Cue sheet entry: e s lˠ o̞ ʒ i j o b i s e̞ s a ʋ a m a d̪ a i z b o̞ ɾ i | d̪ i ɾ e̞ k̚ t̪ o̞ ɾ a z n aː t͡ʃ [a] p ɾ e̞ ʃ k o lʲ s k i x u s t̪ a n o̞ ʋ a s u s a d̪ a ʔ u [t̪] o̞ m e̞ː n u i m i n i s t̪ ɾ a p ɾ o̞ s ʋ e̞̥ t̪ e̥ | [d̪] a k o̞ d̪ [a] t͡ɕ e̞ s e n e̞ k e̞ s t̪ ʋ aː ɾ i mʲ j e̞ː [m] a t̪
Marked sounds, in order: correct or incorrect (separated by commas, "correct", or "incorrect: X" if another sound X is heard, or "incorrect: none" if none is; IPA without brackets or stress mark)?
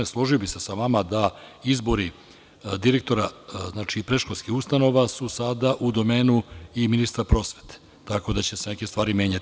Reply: incorrect: i, incorrect: d̪, incorrect: t̪, correct, incorrect: ɲ